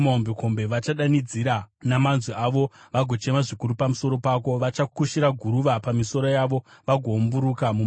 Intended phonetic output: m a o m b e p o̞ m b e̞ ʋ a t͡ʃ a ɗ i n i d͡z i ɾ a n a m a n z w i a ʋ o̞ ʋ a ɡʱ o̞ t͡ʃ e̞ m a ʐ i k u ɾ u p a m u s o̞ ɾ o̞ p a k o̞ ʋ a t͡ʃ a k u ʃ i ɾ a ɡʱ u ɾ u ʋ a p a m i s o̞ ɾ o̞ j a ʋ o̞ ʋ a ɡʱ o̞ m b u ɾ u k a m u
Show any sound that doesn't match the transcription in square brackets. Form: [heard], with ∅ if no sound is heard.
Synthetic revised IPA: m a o m b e [k] o̞ m b e̞ ʋ a t͡ʃ a ɗ [a] n i d͡z i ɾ a n a m a n z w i a ʋ o̞ ʋ a ɡʱ o̞ t͡ʃ e̞ m a ʐ i k u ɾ u p a m u s o̞ ɾ o̞ p a k o̞ ʋ a t͡ʃ a k u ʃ i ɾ a ɡʱ u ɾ u ʋ a p a m i s o̞ ɾ o̞ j a ʋ o̞ ʋ a ɡʱ o̞ m b u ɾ u k a m u